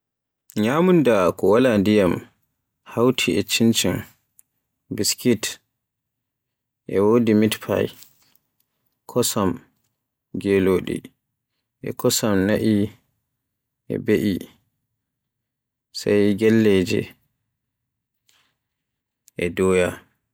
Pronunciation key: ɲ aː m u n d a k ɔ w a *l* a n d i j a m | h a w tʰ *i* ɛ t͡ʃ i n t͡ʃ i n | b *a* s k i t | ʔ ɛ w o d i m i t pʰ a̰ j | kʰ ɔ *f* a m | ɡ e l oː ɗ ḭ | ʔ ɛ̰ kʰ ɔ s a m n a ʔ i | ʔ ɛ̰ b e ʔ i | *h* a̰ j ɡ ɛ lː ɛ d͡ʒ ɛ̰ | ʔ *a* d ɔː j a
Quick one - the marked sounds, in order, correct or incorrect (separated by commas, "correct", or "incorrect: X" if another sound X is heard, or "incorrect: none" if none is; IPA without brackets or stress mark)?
correct, correct, incorrect: i, incorrect: s, incorrect: s, incorrect: ɛ